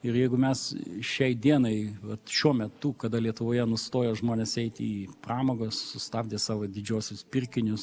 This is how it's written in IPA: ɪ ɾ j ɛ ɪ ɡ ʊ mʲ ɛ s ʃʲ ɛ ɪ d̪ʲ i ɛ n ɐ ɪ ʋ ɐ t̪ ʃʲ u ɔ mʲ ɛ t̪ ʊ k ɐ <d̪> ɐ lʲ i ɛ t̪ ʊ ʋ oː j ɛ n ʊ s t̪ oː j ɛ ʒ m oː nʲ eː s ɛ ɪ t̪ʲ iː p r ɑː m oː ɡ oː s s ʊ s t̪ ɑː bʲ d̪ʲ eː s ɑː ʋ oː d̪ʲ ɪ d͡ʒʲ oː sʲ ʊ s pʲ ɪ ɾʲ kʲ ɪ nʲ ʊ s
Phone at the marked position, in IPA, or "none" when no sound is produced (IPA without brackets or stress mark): d̪